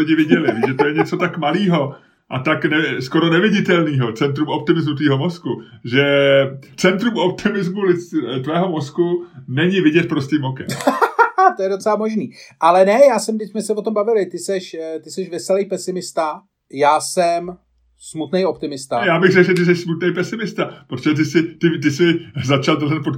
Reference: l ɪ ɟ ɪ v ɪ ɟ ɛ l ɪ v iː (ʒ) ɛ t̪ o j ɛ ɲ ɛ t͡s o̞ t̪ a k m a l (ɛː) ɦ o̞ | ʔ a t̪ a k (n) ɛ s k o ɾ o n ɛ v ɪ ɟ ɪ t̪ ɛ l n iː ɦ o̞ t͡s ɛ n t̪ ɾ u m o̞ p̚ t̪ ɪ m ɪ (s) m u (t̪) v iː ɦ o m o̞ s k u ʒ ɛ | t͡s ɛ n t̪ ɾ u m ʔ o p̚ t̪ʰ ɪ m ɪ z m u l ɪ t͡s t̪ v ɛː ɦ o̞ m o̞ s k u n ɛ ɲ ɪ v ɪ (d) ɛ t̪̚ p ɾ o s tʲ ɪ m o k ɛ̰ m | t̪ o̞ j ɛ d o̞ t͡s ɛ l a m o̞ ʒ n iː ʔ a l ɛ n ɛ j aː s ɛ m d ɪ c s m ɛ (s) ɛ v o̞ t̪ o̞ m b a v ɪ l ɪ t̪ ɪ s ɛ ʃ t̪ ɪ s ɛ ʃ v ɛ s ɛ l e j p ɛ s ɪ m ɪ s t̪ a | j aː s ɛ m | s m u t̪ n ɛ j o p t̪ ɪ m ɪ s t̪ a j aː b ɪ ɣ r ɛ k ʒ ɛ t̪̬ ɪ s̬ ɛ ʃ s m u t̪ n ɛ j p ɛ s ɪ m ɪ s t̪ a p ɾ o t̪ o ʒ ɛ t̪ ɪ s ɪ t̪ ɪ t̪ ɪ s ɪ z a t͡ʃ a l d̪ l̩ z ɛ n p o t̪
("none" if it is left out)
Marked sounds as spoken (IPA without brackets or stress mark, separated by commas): ʒ, iː, n, z, t̪, ɟ, s